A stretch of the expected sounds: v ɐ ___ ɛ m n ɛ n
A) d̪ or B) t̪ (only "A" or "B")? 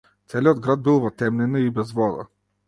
B